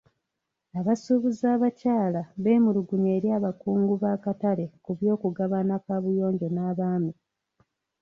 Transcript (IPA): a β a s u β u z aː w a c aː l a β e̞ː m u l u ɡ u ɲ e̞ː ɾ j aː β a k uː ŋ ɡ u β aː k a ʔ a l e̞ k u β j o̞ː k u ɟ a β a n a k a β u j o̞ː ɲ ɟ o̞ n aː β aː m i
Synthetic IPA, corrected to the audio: a β a s u β u z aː β a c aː l a β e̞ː m u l u ɡ u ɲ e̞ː ɾ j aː β a k uː ŋ ɡ u β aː k a t a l e̞ k u β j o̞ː k u ɡ a β a n a k a β u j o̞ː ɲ ɟ o̞ n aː β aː m i